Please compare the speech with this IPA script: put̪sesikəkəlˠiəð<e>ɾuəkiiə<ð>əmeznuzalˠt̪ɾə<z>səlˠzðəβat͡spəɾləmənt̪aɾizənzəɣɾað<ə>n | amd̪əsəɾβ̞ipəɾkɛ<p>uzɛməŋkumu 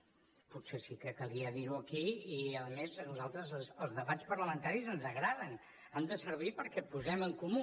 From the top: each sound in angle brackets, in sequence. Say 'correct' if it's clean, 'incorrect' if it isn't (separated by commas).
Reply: incorrect, correct, correct, correct, correct